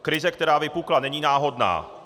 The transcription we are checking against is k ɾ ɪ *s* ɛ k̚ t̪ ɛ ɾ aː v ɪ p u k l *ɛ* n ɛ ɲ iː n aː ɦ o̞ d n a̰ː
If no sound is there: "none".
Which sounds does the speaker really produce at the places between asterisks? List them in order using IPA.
z, a

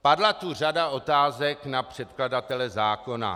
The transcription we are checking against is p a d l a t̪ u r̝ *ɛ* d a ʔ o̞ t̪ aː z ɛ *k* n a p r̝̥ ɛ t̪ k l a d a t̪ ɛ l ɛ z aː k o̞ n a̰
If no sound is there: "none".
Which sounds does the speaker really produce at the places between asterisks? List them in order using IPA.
a, k

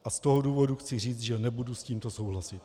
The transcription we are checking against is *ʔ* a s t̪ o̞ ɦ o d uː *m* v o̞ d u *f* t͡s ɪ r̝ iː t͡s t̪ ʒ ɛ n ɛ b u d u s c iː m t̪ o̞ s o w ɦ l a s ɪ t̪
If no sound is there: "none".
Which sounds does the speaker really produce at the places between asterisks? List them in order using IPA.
ʔ, none, x

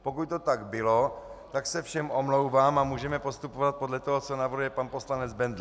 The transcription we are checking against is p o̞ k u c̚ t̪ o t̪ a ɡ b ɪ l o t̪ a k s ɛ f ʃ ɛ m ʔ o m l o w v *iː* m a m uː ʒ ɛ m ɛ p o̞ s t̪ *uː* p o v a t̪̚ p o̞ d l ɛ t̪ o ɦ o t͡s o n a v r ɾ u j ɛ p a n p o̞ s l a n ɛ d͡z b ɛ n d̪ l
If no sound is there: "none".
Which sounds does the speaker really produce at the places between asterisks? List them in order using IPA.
aː, u

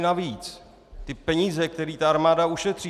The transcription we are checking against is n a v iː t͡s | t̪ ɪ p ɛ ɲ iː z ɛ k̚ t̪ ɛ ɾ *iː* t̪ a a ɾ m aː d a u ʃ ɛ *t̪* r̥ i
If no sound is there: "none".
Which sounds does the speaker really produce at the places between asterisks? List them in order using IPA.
iː, t̪

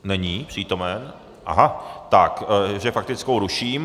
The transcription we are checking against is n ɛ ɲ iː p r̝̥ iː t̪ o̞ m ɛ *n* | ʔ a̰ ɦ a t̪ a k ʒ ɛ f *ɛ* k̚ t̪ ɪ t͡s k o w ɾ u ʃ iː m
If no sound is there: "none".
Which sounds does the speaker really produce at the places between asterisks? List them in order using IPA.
n, a

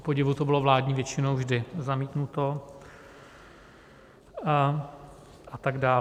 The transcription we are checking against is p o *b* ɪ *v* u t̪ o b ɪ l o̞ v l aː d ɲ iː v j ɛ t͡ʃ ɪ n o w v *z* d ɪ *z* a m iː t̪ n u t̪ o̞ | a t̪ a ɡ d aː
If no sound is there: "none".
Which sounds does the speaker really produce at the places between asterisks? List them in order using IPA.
ɟ, v, ʒ, z

